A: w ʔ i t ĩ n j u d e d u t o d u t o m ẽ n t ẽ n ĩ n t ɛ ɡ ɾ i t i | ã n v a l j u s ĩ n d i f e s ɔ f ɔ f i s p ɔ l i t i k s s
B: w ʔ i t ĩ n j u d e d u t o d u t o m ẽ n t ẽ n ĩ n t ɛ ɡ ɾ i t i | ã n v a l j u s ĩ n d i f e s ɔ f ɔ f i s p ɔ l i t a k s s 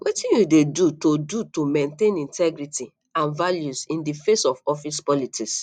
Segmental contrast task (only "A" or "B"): A